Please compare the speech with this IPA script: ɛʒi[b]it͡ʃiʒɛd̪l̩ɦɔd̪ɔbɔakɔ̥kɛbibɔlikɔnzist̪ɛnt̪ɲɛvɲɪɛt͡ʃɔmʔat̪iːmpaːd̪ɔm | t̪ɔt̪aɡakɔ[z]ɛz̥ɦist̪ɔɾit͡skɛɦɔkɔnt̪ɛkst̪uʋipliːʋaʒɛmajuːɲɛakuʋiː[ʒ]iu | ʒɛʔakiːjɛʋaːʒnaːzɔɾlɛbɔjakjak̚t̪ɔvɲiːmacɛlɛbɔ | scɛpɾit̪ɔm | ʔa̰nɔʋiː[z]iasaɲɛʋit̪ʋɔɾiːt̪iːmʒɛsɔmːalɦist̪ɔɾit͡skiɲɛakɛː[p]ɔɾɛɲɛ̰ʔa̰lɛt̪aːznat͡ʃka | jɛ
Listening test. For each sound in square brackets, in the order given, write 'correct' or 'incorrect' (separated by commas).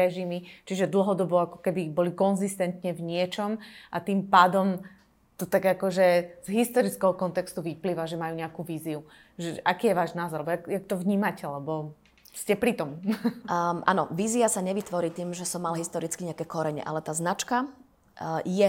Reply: incorrect, incorrect, incorrect, correct, incorrect